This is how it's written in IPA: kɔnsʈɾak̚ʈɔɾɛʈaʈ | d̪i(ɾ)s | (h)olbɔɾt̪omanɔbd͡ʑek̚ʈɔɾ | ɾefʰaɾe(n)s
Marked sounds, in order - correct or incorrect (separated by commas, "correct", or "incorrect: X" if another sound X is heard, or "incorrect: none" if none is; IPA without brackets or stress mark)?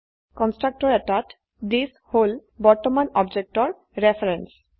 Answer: incorrect: none, correct, correct